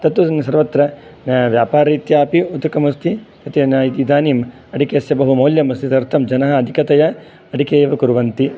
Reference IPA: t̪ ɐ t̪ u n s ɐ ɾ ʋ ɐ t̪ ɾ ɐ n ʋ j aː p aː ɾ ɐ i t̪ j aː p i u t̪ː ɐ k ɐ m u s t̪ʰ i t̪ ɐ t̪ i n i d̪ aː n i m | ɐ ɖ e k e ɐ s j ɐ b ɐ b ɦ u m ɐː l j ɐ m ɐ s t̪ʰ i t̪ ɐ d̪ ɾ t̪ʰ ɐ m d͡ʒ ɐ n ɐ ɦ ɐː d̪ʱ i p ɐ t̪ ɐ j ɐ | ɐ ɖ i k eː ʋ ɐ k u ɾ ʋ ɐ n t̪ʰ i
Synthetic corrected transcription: t̪ ɐ t̪ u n s ɐ ɾ ʋ ɐ t̪ ɾ ɐ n ʋ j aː p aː ɾ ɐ i t̪ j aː p i u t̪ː ɐ k ɐ m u s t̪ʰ i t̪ ɐ t̪ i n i d̪ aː n i m | ɐ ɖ i k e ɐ s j ɐ b ɐ ɦ u m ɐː l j ɐ m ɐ s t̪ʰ i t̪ ɐ ɾ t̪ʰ ɐ m d͡ʒ ɐ n ɐ ɦ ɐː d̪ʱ i k ɐ t̪ ɐ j ɐ | ɐ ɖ i k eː ʋ ɐ k u ɾ ʋ ɐ n t̪ i